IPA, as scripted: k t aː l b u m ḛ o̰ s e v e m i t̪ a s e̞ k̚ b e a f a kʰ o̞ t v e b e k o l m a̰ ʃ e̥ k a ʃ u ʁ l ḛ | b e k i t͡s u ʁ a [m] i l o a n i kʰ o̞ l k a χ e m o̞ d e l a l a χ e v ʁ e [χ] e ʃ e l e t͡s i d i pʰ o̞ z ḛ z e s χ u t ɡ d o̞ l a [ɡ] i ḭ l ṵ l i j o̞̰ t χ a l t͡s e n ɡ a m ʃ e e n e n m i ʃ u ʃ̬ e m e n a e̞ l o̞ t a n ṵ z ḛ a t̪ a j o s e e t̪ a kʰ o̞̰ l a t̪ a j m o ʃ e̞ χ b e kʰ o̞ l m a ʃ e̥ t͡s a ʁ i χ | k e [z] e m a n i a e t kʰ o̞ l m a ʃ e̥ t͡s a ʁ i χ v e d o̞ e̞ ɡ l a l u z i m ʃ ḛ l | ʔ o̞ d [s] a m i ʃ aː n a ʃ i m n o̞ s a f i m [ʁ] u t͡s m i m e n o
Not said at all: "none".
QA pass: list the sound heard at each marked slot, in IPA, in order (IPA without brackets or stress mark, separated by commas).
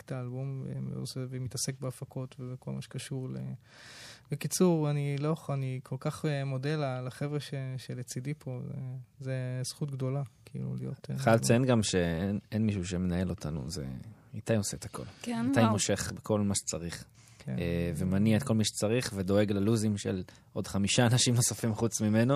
n, ʃ, k, v, χ, χ